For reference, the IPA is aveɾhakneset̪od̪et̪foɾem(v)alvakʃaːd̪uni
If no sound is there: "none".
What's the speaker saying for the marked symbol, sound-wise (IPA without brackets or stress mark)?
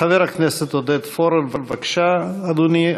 v